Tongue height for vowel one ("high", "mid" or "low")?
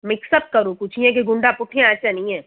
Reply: high